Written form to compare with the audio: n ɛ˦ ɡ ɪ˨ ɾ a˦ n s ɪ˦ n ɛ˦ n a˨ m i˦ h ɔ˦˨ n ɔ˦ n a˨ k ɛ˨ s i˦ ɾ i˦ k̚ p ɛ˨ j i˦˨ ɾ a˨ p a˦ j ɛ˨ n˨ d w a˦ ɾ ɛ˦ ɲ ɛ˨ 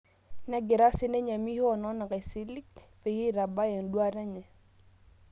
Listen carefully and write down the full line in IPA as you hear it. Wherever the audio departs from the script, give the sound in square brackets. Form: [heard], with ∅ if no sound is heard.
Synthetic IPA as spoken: n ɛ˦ ɡ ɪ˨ ɾ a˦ [∅] s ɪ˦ n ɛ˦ [ɲ] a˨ m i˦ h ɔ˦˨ n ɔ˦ n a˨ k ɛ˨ s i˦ [l] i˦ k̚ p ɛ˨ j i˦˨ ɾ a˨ [b] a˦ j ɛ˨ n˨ d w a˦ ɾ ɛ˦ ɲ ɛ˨